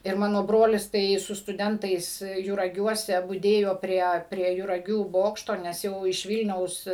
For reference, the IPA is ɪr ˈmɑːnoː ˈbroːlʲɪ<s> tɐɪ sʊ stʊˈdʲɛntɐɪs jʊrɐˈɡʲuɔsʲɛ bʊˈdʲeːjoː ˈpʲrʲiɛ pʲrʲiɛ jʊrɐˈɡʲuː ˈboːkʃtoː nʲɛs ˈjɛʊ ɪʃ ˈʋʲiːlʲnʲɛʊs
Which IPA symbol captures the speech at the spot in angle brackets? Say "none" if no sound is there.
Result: s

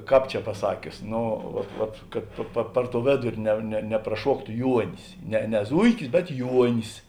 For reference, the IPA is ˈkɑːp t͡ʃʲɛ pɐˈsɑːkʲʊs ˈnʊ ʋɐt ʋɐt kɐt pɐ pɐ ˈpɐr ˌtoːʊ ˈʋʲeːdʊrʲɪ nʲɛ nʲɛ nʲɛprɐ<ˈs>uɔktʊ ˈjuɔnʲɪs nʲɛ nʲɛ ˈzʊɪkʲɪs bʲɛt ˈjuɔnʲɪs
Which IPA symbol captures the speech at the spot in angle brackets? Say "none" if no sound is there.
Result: ʃ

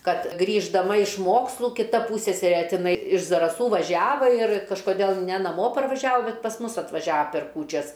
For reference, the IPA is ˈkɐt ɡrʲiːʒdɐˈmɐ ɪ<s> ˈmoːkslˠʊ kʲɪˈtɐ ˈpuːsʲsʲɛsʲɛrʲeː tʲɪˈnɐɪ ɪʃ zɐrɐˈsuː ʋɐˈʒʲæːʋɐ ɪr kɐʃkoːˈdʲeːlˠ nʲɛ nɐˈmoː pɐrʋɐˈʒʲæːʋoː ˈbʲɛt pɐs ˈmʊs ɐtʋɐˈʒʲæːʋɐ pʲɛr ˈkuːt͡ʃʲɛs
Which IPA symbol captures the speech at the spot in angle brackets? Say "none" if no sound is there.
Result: ʃ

